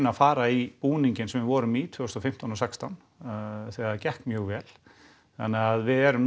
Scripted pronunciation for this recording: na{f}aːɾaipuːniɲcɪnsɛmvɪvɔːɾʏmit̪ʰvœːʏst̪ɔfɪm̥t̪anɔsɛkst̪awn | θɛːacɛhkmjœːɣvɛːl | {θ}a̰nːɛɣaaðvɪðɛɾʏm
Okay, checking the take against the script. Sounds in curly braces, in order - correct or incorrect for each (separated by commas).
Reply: correct, correct